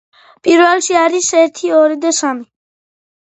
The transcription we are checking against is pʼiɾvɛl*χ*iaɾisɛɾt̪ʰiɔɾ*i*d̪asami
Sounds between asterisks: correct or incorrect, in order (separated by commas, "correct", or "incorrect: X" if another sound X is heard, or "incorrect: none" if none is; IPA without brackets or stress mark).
incorrect: ʃ, correct